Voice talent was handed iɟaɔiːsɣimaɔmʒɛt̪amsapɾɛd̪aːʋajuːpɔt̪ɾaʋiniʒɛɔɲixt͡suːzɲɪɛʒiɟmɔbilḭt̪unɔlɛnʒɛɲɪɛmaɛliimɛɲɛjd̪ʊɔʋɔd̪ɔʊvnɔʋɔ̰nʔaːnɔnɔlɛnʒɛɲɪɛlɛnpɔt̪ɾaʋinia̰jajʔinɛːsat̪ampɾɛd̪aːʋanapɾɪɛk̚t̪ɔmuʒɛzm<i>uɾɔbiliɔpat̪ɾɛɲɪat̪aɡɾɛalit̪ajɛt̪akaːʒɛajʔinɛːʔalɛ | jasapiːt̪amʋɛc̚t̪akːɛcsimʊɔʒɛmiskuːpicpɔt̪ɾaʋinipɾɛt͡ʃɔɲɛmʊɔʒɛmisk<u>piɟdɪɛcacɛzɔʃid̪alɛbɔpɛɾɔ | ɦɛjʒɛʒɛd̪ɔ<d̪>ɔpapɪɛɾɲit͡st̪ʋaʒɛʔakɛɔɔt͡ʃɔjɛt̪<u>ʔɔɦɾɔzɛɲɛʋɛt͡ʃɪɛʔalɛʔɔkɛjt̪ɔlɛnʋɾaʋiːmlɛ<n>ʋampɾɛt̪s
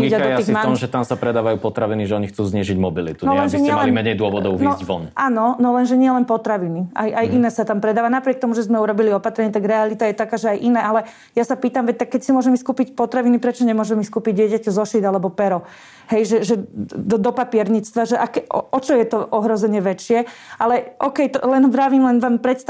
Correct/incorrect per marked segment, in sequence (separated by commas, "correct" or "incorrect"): incorrect, incorrect, correct, incorrect, correct